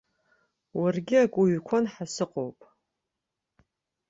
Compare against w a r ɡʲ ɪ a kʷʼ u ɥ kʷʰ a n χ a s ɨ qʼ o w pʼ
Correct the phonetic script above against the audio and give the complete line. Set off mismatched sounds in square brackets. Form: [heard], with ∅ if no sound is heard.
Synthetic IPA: w a r ɡʲ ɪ a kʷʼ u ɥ kʷʰ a n [ħ] a s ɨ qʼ o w pʼ